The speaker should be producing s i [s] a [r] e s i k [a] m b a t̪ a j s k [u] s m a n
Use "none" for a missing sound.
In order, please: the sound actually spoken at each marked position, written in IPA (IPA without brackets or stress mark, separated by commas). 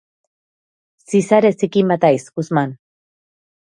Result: s, ɾ, i, u